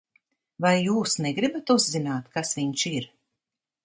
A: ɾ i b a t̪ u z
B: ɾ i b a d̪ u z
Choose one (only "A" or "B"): A